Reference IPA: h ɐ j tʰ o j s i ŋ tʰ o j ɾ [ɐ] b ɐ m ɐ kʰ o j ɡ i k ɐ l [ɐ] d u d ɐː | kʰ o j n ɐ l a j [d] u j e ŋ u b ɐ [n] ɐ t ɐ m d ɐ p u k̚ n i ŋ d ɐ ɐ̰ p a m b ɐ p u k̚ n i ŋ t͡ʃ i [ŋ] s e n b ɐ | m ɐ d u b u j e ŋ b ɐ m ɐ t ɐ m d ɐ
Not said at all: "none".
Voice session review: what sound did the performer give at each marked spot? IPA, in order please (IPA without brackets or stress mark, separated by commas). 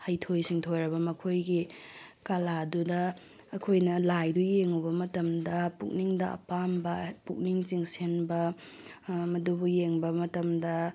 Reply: ɐ, a, d, m, ŋ